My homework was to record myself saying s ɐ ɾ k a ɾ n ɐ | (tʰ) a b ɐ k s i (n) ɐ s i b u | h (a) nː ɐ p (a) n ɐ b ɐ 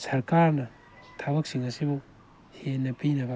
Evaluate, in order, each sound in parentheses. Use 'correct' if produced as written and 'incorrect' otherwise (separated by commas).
correct, incorrect, incorrect, incorrect